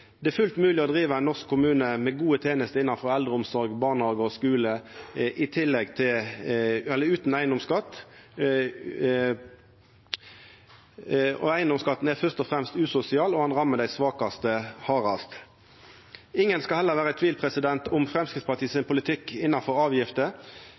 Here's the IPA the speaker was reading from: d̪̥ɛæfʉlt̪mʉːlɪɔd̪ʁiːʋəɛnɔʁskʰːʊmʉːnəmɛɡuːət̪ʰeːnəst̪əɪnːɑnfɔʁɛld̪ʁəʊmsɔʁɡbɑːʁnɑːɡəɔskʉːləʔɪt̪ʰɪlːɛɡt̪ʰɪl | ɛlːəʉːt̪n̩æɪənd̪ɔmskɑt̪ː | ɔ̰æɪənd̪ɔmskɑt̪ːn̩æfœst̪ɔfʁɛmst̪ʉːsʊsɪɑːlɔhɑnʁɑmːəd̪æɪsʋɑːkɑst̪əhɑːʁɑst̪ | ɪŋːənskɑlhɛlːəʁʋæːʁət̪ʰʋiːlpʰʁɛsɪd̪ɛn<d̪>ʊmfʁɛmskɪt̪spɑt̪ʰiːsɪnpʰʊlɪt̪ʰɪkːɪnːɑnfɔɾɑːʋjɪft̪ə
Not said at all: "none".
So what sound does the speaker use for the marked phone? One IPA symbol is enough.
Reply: t̪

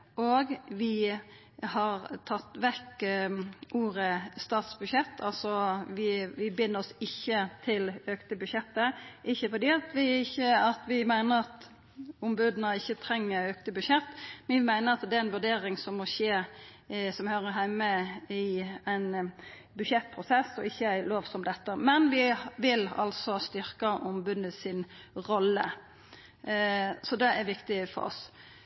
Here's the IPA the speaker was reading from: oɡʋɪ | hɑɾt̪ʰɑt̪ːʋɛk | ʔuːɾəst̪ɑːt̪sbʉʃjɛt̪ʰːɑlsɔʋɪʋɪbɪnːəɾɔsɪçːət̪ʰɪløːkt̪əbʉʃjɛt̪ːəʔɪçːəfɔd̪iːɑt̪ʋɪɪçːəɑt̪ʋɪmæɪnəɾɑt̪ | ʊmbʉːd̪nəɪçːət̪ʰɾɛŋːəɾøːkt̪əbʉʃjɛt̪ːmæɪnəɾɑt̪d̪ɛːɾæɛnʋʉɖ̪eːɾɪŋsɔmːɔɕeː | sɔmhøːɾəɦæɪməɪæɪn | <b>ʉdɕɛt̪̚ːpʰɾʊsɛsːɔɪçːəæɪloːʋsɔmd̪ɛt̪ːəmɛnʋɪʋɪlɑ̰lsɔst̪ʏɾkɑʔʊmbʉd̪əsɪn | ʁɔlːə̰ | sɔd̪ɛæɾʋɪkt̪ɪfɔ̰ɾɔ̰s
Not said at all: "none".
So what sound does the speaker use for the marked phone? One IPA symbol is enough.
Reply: b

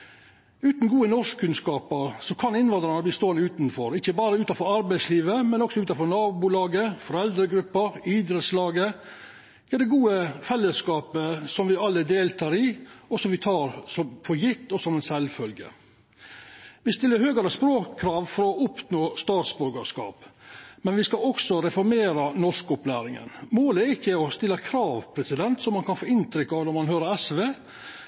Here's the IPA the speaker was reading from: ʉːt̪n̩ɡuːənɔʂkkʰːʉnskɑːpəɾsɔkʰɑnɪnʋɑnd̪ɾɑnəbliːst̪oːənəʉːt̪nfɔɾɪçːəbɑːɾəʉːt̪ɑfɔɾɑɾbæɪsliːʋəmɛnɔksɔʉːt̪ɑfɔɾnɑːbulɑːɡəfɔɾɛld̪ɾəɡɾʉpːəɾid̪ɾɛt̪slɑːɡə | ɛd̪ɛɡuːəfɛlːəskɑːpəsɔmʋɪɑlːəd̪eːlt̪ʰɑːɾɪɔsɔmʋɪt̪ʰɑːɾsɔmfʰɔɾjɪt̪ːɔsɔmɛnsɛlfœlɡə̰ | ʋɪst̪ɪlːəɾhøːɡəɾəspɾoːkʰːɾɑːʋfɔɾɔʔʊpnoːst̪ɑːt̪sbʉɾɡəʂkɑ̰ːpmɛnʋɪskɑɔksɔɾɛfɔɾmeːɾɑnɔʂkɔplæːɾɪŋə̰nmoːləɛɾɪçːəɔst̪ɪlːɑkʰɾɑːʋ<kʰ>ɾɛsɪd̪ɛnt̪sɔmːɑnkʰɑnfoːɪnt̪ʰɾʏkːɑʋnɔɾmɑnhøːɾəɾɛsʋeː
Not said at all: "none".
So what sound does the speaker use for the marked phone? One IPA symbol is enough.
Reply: pʰ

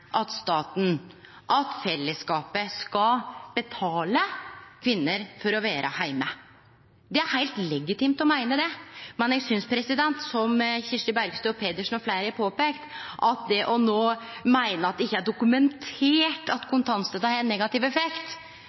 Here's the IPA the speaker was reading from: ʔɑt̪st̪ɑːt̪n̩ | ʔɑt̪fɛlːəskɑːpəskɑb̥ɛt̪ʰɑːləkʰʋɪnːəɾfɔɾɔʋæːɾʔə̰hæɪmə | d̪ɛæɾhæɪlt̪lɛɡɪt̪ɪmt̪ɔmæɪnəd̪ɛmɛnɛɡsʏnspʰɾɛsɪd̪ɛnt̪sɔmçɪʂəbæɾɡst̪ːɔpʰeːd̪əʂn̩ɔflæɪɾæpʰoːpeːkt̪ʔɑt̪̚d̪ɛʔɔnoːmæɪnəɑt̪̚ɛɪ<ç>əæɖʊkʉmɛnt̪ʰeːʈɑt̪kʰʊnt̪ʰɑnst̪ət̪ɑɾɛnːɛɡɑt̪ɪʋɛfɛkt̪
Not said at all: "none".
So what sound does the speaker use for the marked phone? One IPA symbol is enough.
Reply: çː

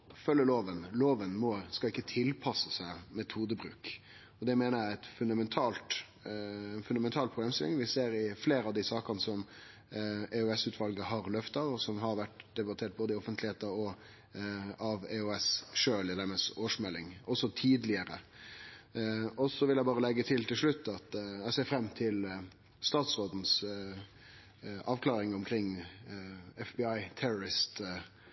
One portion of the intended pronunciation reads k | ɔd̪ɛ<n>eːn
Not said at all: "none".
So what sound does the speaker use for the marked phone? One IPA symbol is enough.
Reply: m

